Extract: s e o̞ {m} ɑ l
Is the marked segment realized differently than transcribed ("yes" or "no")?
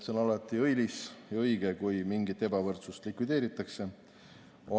yes